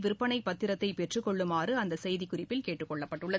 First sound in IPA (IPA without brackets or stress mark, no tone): ʋ